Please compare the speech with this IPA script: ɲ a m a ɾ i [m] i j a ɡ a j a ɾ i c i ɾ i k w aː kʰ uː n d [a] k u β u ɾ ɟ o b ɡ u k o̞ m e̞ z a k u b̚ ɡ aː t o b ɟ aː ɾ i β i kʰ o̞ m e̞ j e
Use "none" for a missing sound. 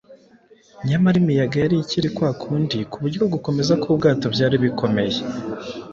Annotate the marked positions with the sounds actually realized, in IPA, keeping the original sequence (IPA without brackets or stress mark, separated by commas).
m, i